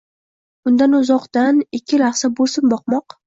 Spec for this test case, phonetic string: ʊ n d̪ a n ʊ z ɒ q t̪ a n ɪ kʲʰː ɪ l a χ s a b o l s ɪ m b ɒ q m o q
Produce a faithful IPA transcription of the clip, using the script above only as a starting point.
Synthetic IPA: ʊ n d̪ a n ʊ z ɒ q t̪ a n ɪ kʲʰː ɪ l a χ s a b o l s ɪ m b ɒ q m ɒ q